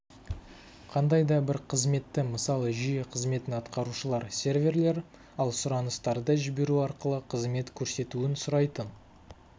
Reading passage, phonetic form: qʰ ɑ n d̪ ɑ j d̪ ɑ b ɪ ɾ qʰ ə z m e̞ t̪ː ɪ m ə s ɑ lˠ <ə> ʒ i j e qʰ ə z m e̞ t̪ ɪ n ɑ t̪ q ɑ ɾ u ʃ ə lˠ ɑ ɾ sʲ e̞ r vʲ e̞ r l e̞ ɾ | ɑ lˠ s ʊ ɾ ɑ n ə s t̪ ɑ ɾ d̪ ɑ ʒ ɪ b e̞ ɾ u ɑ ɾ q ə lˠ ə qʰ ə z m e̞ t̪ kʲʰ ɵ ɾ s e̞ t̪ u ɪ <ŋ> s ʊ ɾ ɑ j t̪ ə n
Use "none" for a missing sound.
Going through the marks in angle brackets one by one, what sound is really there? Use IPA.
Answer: ə, n

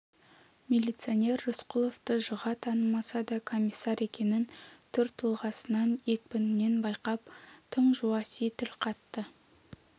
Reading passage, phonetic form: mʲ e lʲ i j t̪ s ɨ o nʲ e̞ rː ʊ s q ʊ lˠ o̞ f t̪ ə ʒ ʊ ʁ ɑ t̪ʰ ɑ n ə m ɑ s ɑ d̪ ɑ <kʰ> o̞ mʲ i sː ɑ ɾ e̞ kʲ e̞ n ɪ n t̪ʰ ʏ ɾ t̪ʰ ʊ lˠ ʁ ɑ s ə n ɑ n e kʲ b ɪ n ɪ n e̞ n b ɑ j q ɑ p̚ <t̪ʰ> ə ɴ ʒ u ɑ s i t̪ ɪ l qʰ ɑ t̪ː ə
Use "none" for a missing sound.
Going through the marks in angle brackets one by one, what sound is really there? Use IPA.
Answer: kʰ, t̪ʰ

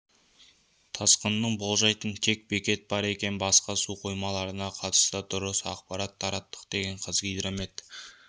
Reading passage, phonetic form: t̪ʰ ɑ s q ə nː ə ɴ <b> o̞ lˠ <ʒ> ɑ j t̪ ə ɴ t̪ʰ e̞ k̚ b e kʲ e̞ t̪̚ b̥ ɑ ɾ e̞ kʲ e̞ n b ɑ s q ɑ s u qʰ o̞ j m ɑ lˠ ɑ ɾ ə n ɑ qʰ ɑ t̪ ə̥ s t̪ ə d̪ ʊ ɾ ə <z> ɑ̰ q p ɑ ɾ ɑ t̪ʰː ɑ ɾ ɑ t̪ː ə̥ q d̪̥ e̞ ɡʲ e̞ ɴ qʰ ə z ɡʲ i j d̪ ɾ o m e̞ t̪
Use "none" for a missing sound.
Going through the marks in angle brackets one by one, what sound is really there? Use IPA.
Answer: b, ʒ, s

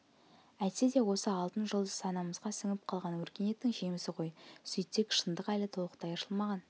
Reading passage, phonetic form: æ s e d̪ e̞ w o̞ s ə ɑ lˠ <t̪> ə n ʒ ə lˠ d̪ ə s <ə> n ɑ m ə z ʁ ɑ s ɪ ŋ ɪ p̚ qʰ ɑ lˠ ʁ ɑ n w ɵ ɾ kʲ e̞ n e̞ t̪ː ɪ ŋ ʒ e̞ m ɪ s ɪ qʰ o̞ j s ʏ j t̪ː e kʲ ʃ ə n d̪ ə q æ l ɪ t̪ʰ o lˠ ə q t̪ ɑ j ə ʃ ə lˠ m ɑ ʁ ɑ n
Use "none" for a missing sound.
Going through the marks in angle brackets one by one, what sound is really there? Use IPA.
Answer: t̪, ɑ

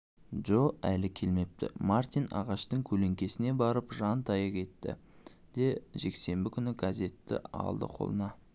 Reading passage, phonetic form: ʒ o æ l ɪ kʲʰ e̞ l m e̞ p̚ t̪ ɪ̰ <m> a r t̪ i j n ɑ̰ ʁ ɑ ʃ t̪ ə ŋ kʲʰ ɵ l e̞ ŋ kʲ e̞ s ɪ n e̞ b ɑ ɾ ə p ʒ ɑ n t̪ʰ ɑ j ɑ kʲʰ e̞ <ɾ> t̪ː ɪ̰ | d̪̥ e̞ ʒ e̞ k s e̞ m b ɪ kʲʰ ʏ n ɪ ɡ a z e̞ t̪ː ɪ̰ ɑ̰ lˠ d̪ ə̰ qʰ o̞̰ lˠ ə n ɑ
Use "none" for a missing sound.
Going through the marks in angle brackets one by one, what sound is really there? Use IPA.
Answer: m, none

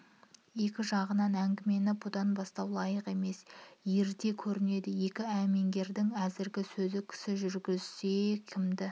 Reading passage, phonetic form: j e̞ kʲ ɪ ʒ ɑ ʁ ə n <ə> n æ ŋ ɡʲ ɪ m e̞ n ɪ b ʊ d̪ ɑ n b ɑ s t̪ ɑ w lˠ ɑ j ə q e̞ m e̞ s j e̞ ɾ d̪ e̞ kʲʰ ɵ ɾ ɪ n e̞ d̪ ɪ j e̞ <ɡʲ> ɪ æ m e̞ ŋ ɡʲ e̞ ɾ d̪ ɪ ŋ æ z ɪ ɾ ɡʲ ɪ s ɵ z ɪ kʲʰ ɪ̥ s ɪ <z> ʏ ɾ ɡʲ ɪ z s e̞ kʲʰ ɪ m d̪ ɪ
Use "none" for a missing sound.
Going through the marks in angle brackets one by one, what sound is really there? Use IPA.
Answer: ɑ, kʲ, ʒ

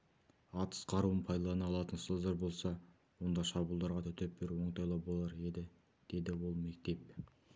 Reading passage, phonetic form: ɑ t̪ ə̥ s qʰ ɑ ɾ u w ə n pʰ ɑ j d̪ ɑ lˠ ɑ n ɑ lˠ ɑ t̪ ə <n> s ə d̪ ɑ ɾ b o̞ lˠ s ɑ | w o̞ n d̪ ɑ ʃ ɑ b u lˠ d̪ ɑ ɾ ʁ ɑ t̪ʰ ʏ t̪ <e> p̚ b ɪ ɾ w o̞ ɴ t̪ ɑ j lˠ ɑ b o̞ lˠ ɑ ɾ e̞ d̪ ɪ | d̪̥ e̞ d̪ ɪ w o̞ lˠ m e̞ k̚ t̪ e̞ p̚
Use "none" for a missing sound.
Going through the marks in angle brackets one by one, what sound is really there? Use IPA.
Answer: n, e

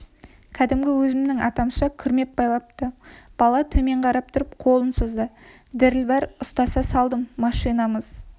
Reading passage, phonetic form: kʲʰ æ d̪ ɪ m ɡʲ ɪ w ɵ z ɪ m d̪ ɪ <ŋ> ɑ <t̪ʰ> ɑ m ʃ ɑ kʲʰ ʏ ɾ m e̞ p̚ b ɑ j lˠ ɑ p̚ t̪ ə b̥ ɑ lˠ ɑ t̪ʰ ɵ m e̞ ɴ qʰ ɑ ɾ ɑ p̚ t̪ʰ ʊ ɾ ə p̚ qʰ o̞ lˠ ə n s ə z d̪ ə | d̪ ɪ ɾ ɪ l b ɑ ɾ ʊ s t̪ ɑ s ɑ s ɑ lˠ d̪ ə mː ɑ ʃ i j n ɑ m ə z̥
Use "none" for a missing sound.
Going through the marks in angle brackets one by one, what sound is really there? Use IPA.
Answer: ŋ, t̪

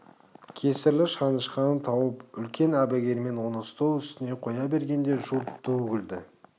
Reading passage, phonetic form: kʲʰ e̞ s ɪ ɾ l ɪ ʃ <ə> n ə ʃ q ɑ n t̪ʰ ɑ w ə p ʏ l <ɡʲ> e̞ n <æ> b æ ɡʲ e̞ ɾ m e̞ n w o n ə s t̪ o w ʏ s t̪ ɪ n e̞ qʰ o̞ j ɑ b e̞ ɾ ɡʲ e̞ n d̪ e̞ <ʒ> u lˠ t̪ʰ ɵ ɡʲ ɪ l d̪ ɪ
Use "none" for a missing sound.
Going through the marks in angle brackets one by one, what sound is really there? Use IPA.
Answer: ɑ, kʲ, æ, ʒ

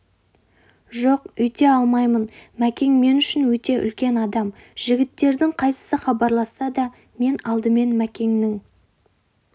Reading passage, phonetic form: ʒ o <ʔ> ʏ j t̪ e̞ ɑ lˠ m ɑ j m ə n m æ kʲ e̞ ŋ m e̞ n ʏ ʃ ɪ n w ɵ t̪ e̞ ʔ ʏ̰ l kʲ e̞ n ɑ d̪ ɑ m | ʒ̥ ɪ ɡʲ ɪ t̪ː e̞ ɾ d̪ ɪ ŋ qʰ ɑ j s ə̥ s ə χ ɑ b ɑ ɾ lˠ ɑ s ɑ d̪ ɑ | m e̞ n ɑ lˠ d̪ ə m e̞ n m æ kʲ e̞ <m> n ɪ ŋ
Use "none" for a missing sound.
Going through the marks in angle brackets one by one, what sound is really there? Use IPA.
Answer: q, ŋ

